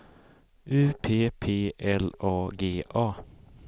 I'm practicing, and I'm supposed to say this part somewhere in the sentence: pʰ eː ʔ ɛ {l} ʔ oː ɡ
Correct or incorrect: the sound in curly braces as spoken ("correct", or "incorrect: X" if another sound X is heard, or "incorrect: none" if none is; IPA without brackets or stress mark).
correct